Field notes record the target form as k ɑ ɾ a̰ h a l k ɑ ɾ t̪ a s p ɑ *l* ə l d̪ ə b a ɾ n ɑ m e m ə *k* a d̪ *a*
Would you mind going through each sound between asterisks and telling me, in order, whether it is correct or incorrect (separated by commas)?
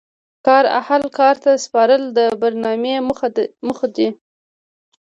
incorrect, incorrect, incorrect